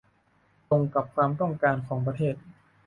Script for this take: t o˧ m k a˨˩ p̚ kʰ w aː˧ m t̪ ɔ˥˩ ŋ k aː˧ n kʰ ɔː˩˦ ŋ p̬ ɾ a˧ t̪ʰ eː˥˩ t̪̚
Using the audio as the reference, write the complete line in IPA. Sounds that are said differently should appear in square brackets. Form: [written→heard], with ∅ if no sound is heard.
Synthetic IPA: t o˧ [m→ŋ] k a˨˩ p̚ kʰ w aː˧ m t̪ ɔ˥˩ ŋ k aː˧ n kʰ ɔː˩˦ ŋ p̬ ɾ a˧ t̪ʰ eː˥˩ t̪̚